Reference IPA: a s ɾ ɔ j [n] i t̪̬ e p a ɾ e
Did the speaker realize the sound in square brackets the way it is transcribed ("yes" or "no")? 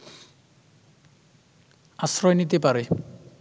yes